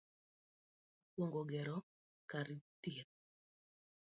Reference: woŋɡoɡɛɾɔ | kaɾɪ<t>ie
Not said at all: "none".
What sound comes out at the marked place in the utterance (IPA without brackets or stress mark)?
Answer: t